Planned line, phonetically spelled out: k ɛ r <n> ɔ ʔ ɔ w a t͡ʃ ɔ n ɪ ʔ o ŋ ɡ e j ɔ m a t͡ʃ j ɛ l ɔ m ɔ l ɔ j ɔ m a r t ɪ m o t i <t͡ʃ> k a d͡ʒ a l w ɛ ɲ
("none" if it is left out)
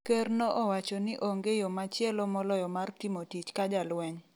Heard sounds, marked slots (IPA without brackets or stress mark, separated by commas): n, t͡ʃ